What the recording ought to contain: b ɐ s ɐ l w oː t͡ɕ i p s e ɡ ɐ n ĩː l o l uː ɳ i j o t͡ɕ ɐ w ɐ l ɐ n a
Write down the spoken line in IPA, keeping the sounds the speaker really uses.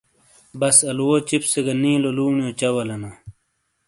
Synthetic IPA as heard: b ɐ s ɐ l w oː t͡ɕ i p s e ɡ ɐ n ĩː l o l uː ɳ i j o t͡ɕ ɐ w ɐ l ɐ n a